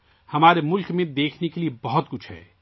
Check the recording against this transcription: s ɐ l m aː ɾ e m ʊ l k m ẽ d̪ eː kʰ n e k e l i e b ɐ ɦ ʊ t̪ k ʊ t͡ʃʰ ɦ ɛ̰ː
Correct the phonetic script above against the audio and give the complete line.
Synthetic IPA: h ɐ m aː ɾ e m ʊ l k m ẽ d̪ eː kʰ n e k e l i e b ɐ ɦ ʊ t̪ k ʊ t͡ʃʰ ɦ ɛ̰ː

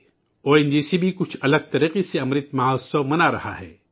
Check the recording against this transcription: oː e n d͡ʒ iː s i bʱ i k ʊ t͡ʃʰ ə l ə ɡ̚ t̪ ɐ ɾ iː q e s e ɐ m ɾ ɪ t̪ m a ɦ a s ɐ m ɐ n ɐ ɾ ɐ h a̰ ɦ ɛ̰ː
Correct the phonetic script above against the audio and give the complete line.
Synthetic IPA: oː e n d͡ʒ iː s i bʱ i k ʊ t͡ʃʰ ɐ l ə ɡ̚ t̪ ɐ ɾ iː q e s e ɐ m ɾ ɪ t̪ m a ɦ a s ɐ m ɐ n a ɾ ɐ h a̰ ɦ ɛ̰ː

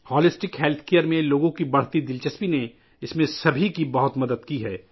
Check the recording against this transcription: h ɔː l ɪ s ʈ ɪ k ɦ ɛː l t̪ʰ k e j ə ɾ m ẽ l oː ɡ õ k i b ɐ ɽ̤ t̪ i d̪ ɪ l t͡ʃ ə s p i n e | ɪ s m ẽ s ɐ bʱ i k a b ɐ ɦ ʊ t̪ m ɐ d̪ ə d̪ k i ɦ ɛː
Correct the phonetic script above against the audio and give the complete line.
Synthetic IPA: h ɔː l ɪ s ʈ ɪ k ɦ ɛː l t̪ʰ k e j ə ɾ m ẽ l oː ɡ õ k i b ɐ ɽ̤ t̪ i d̪ ɪ l t͡ʃ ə s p i n e | ɪ s m ẽ s ɐ bʱ i k i b ɐ ɦ ʊ t̪ m ɐ d̪ ə d̪ k i ɦ ɛː

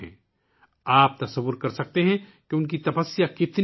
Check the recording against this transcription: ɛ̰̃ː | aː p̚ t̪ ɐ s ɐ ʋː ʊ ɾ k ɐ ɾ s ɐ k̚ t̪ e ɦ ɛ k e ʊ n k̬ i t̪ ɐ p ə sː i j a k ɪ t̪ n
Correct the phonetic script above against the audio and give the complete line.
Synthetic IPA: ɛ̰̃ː | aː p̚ t̪ ɐ s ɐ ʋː ʊ ɾ k ɐ ɾ s ɐ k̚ t̪ e ɦ ɛ̃ k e ʊ n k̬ i t̪ ɐ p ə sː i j a k ɪ t̪ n

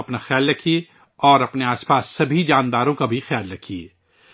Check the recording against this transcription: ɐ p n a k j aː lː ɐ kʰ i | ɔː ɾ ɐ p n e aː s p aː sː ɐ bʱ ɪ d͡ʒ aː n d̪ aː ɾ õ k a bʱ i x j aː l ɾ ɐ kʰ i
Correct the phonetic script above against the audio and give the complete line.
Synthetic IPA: ɐ p n a x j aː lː ɐ kʰ i | ɔː ɾ ɐ p n e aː s p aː sː ɐ bʱ i d͡ʒ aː n d̪ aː ɾ õ k a bʱ i x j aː l ɾ ɐ kʰ i

